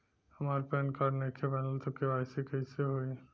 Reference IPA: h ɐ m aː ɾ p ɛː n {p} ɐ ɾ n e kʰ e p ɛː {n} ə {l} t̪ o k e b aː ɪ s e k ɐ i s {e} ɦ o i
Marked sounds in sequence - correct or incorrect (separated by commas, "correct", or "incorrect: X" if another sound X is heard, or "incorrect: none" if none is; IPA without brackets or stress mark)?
incorrect: k, correct, correct, correct